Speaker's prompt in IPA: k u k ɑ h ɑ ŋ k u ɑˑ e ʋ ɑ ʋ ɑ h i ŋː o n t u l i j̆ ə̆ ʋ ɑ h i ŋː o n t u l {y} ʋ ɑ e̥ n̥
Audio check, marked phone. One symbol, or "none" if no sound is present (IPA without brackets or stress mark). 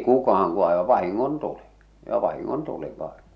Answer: i